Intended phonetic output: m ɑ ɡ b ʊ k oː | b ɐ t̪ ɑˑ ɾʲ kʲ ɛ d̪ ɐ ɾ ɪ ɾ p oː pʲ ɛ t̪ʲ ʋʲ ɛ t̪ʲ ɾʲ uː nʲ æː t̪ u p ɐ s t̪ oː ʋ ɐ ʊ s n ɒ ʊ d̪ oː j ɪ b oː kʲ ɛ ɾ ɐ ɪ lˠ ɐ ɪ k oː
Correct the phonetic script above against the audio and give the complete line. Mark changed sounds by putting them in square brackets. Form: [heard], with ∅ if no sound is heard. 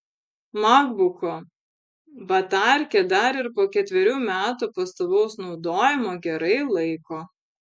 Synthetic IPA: m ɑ ɡ b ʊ k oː | b ɐ t̪ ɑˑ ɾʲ kʲ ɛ d̪ ɐ ɾ ɪ ɾ p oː [kʲ] ɛ t̪ʲ ʋʲ ɛ [∅] ɾʲ uː [mʲ] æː t̪ u p ɐ s t̪ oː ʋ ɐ ʊ s n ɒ ʊ d̪ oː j ɪ [m] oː [ɡʲ] ɛ ɾ ɐ ɪ lˠ ɐ ɪ k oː